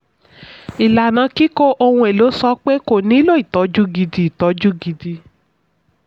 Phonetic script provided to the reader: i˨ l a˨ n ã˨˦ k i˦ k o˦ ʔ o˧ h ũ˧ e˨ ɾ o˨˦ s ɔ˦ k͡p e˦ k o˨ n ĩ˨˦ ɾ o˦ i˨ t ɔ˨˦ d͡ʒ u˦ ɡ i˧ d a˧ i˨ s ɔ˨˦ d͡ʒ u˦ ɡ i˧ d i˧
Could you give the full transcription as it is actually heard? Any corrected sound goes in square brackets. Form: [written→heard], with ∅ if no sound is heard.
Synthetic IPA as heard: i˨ l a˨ n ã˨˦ k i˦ k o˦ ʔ o˧ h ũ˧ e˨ [ɾ→l] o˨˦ s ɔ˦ k͡p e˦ k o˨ n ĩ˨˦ [ɾ→l] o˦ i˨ t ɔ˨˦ d͡ʒ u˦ ɡ i˧ d [a˧→i˧] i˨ [s→t] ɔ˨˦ d͡ʒ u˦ ɡ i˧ d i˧